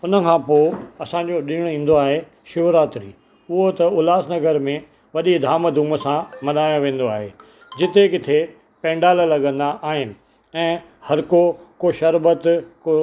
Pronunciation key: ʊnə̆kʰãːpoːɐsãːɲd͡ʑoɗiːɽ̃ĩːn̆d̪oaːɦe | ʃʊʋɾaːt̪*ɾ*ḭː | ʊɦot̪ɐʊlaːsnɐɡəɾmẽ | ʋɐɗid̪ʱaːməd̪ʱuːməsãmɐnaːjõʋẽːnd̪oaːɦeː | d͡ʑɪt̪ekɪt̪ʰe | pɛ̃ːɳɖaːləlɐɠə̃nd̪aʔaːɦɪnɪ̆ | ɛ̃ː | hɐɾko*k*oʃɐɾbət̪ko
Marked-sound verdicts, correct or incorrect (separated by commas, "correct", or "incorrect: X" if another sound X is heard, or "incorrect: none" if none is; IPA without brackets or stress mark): correct, correct